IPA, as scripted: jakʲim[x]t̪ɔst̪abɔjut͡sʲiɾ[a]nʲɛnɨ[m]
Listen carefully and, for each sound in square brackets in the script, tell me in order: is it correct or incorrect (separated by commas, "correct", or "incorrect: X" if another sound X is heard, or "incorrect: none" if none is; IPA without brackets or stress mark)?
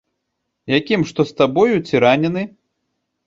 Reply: incorrect: ʂ, correct, incorrect: none